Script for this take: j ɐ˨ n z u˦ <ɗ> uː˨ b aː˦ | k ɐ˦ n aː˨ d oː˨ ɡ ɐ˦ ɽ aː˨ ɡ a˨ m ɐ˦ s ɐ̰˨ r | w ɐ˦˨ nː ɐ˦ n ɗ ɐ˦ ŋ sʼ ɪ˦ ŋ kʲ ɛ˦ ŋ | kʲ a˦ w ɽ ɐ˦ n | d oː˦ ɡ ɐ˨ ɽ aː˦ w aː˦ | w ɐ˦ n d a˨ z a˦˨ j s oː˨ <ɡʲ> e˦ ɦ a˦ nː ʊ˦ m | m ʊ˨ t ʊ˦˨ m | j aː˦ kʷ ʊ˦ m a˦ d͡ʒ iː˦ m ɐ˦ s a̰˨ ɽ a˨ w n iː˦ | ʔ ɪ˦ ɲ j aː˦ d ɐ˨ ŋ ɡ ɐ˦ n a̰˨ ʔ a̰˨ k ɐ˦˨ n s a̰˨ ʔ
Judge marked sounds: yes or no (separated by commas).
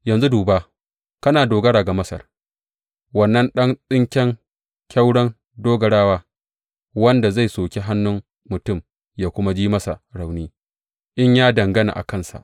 no, no